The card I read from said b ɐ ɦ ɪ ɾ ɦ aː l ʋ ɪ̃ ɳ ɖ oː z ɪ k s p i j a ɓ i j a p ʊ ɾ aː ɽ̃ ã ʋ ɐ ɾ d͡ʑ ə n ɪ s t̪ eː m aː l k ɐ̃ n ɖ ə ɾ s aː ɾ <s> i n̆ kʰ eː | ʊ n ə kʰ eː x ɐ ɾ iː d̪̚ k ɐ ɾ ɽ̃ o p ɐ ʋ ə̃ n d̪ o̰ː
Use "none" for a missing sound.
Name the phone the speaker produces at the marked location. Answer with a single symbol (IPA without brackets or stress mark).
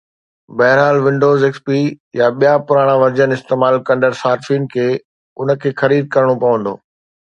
f